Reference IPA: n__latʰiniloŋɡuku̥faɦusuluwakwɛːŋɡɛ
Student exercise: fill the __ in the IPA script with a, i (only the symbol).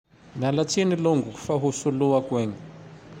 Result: a